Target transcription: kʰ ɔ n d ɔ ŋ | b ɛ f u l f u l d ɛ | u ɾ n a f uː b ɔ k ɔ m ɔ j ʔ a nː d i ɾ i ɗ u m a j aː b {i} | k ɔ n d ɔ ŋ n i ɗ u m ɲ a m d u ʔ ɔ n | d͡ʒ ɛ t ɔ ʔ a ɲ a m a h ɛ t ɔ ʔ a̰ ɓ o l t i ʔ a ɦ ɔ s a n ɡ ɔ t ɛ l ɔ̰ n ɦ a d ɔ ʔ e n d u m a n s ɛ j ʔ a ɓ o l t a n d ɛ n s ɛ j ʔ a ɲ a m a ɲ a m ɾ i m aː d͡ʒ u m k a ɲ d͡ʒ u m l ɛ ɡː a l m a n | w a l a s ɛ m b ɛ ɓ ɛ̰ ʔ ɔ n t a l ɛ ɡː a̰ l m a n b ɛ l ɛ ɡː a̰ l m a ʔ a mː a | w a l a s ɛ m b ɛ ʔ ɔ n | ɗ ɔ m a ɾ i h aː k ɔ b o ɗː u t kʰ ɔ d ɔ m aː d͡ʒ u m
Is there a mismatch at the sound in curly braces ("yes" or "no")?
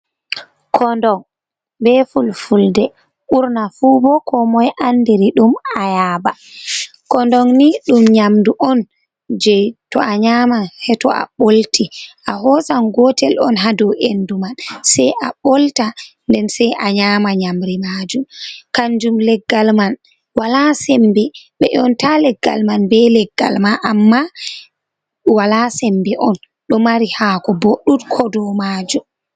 yes